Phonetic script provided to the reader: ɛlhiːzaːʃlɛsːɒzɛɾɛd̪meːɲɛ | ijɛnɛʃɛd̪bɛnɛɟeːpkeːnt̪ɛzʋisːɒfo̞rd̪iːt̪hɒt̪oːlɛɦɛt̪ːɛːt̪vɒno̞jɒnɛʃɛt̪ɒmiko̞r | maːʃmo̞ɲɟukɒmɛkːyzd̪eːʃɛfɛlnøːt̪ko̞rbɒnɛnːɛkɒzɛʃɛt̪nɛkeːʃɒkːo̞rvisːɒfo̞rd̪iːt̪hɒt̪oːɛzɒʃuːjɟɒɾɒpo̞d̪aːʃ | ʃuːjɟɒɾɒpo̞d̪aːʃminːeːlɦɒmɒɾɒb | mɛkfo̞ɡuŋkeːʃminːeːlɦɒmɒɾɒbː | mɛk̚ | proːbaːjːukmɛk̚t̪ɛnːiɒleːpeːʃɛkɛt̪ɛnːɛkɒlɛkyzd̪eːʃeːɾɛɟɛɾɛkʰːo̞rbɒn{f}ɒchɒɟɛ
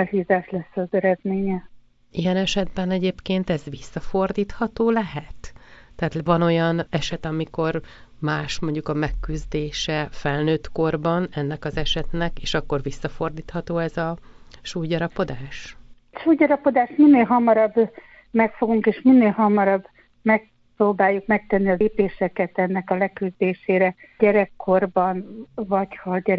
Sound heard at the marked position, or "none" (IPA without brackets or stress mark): v